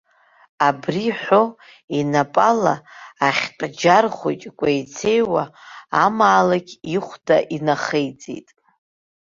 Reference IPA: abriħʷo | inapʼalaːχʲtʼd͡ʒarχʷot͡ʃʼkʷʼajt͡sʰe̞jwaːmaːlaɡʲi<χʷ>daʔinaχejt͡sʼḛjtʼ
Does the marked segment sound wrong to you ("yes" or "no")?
no